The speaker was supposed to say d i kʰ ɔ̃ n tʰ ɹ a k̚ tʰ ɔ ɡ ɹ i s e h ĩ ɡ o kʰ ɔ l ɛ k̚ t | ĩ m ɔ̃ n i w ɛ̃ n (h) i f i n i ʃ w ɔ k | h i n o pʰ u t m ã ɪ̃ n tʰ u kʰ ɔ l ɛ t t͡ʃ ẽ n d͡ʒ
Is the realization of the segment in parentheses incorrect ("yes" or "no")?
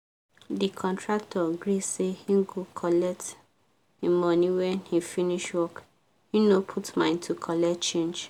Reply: no